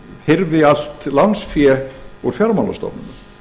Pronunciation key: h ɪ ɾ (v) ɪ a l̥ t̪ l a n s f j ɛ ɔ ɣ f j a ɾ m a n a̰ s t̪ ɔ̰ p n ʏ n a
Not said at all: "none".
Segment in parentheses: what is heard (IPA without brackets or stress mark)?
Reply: v